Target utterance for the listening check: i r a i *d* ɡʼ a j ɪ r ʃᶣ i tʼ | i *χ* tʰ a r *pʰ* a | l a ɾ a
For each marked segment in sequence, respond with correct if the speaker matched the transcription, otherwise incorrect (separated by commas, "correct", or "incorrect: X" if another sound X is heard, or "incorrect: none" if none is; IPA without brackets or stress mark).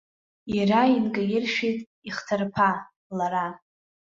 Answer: incorrect: n, correct, correct